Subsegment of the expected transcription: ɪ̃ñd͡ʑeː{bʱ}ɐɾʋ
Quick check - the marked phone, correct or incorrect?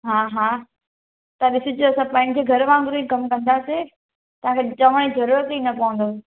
incorrect